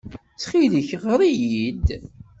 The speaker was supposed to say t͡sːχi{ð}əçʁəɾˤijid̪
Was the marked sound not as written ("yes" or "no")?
no